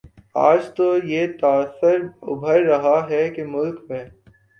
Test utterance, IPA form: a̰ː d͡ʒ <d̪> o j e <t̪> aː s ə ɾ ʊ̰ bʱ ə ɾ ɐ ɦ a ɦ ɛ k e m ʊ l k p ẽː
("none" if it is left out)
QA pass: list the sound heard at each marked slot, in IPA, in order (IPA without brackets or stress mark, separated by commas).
t̪, t̪